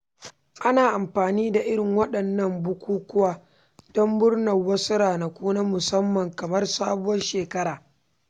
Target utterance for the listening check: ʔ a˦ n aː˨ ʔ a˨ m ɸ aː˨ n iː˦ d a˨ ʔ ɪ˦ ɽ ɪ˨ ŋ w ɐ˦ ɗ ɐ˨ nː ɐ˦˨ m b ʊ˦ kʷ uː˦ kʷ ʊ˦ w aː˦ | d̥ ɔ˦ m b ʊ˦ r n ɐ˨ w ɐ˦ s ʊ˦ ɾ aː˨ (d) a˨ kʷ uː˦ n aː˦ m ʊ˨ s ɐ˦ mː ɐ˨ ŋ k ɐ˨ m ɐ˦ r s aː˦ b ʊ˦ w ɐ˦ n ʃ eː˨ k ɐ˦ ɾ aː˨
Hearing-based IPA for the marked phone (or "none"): n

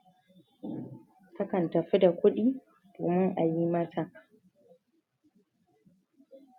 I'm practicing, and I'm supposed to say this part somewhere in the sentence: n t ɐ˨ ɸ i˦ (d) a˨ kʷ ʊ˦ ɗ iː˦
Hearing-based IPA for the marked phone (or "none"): d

